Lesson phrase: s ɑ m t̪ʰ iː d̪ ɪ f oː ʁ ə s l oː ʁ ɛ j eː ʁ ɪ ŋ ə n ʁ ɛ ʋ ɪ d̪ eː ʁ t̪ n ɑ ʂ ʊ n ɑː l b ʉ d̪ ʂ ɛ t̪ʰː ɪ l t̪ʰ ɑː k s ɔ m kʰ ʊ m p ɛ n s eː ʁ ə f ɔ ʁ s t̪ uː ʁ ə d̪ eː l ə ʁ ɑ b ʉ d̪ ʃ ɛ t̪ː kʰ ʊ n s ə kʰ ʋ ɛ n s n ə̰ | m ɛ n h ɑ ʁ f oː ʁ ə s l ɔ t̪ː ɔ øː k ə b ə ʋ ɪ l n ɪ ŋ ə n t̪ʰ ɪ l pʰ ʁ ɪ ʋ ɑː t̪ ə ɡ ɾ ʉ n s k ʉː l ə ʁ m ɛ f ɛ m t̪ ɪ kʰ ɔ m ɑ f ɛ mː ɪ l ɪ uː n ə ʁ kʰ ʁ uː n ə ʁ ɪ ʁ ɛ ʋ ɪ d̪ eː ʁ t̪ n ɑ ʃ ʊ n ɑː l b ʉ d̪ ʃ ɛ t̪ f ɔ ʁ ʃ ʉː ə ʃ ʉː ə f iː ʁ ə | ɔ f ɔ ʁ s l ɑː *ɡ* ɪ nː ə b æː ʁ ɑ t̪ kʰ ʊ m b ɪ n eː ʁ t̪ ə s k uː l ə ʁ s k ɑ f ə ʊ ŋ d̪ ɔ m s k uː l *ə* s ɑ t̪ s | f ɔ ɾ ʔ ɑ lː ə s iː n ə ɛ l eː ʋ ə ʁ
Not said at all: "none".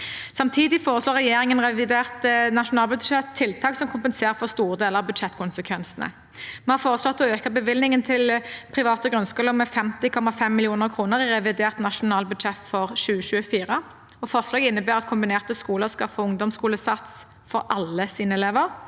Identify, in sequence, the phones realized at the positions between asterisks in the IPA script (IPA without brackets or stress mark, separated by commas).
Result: ɡ, ə